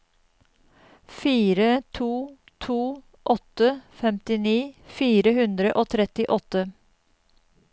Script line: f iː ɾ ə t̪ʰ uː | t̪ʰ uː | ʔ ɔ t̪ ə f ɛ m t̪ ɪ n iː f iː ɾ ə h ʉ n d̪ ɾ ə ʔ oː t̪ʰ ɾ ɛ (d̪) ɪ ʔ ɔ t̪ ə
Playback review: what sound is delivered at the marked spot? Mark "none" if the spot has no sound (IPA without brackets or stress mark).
t̪